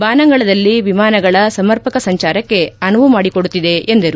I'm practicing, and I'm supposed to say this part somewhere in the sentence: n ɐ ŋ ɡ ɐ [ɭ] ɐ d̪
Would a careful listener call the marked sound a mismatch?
no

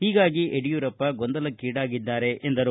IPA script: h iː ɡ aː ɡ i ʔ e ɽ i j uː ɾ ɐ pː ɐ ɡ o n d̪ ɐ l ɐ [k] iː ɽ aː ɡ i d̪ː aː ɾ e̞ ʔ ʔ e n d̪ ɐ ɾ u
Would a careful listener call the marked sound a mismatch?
no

